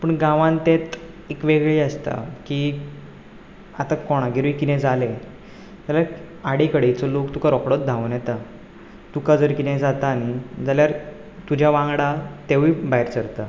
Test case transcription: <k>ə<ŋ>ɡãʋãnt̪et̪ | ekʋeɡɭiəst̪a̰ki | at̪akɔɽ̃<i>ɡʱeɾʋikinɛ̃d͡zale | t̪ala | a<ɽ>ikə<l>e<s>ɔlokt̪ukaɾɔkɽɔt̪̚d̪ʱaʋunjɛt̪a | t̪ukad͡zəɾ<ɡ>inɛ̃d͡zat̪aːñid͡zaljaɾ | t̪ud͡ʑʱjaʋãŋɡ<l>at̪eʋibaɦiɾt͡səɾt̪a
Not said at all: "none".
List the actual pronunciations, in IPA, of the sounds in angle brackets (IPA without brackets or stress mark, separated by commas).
p, ɳ, a, ɽ, ɽ, t͡s, k, ɽ